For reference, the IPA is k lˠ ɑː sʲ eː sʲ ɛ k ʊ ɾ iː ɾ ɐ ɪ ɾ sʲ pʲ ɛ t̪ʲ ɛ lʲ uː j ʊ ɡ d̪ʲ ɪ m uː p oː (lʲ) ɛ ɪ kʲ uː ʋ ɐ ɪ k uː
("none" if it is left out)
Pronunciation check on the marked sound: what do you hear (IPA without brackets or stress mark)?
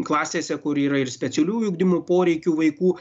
ɾʲ